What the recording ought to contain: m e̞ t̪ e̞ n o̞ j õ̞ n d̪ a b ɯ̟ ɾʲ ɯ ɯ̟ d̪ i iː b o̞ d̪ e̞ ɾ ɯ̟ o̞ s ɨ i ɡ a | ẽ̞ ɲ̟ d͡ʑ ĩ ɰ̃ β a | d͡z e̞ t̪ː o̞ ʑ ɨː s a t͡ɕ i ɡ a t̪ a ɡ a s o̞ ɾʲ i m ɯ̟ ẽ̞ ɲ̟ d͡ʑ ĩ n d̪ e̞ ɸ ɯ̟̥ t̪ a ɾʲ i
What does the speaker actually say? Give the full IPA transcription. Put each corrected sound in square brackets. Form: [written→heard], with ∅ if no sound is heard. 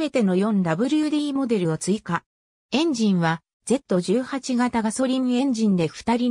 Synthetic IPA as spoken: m e̞ t̪ e̞ n o̞ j õ̞ n d̪ a b ɯ̟ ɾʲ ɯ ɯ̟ d̪ i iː [b→m] o̞ d̪ e̞ ɾ ɯ̟ o̞ [s→t͡s] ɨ i [ɡ→k] a | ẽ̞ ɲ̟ d͡ʑ ĩ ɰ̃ β a | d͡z e̞ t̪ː o̞ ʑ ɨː [s→h] a t͡ɕ i ɡ a t̪ a ɡ a s o̞ ɾʲ i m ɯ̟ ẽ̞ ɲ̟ d͡ʑ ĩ n d̪ e̞ ɸ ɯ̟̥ t̪ a ɾʲ i